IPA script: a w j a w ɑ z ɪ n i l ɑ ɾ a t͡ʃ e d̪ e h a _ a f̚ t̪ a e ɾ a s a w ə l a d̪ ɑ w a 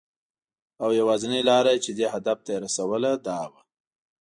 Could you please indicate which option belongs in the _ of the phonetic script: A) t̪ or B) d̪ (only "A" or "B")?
B